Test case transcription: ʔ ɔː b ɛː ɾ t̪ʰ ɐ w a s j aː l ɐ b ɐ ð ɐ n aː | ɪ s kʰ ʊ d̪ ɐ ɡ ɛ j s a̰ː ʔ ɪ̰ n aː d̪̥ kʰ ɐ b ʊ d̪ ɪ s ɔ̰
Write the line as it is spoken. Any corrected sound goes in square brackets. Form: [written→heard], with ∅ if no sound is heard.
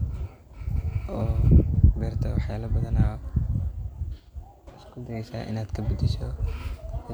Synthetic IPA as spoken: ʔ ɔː b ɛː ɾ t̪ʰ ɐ w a [s→ħ] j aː l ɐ b ɐ ð ɐ n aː | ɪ s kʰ ʊ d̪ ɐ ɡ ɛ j s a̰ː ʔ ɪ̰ n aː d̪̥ kʰ ɐ b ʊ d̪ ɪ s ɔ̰